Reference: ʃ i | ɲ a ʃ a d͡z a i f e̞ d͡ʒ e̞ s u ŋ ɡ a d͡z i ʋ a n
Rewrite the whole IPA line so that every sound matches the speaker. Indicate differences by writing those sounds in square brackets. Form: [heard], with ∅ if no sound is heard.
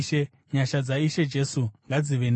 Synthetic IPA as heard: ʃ [e] | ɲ a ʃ a d͡z a i [ʃ] e̞ d͡ʒ e̞ s u ŋ ɡ a d͡z i ʋ [e] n